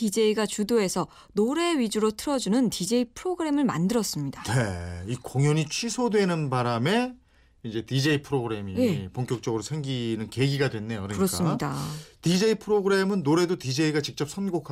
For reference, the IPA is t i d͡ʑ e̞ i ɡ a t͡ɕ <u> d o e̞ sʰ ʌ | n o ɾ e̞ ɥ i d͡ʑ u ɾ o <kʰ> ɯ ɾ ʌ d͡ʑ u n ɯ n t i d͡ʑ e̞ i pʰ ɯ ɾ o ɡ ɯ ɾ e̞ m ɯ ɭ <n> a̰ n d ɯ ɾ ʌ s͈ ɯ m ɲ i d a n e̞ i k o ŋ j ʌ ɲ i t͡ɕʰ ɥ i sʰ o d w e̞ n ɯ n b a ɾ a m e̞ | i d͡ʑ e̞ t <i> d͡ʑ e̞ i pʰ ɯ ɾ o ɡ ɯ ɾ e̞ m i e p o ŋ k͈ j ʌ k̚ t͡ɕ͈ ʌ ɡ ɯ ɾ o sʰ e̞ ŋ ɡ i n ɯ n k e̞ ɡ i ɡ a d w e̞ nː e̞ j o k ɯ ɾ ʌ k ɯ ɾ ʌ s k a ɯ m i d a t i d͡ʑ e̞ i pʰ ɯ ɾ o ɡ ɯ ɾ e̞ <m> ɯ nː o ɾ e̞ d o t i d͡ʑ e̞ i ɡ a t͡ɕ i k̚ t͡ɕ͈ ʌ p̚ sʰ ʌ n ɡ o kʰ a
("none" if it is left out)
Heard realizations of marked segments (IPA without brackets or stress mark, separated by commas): u, tʰ, m, i, m